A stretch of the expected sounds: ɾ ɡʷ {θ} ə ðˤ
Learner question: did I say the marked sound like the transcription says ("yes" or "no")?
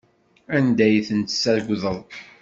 no